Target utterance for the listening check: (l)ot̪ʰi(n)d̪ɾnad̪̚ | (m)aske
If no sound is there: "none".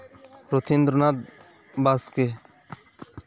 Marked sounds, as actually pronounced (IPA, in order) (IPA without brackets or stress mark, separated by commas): ɾ, n, b